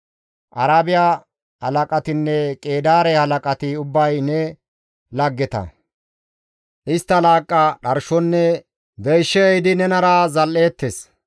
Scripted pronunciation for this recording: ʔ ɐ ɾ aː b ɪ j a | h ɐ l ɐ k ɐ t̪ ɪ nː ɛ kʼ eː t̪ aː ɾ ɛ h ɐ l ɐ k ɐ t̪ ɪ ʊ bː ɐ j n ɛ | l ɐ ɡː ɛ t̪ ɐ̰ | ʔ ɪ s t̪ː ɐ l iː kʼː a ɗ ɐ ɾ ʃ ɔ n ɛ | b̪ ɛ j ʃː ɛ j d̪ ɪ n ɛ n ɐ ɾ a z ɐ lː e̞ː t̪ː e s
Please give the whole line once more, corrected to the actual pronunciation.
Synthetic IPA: ʔ ɐ ɾ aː b ɪ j a | h ɐ l ɐ kʼ ɐ t̪ ɪ nː ɛ kʼ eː d̪ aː ɾ ɛ h ɐ l ɐ kʼ ɐ t̪ ɪ ʊ bː ɐ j n ɛ | l ɐ ɡː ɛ t̪ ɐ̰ | ʔ ɪ s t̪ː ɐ l aː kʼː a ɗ ɐ ɾ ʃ ɔ nː ɛ | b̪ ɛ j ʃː ɛ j d̪ ɪ n ɛ n ɐ ɾ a z ɐ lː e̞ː t̪ː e s